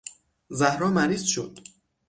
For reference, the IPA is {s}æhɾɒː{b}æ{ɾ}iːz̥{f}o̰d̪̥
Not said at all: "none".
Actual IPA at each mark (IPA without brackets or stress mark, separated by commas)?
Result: z, m, ɾ, ʃ